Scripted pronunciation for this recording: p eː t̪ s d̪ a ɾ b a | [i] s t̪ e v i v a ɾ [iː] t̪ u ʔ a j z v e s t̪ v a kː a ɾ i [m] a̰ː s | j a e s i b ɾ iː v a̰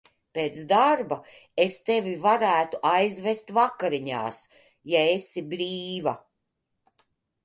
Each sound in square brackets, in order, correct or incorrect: incorrect: e, incorrect: æː, incorrect: ɲ

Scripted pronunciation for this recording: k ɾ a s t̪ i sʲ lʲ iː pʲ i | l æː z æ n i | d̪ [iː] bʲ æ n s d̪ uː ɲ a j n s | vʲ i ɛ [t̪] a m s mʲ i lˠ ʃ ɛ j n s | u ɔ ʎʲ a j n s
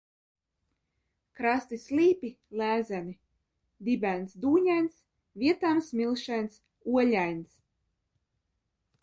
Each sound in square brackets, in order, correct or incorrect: incorrect: i, correct

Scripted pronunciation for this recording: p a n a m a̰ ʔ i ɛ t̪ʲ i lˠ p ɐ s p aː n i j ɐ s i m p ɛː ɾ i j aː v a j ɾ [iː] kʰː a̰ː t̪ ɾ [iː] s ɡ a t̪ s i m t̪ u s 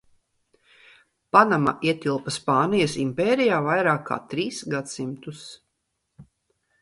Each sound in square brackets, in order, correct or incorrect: incorrect: aː, correct

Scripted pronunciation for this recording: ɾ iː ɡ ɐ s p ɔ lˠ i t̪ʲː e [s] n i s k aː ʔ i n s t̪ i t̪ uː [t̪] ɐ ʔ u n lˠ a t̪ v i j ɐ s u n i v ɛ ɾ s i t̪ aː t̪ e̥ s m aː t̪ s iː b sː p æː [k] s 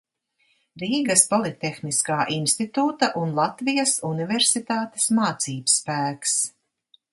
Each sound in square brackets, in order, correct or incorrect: incorrect: x, correct, correct

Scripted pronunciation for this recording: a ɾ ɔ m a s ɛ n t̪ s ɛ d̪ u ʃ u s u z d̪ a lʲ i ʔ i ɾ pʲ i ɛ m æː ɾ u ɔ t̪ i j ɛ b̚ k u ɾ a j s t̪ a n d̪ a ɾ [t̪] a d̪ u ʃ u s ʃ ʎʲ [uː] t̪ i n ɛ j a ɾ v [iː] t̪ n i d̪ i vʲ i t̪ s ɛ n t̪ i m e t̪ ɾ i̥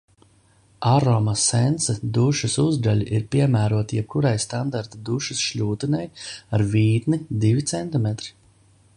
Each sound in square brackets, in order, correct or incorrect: correct, correct, correct

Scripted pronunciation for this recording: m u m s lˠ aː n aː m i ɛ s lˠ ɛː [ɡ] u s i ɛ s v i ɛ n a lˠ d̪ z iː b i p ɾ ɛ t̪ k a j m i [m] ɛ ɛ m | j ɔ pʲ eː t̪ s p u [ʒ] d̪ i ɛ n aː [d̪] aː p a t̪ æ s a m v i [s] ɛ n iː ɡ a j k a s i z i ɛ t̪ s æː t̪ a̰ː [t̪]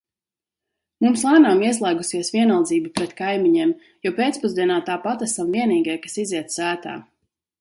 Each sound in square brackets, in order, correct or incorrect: correct, incorrect: ɲ, incorrect: z, incorrect: t̪, incorrect: none, incorrect: none

